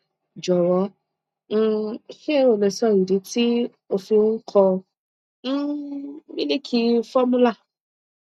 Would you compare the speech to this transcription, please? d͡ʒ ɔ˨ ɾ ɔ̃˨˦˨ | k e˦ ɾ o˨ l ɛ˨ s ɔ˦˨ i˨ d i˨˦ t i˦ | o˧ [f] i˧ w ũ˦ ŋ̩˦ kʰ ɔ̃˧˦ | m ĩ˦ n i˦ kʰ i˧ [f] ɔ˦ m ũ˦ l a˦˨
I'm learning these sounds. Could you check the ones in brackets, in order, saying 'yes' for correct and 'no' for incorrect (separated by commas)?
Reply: yes, yes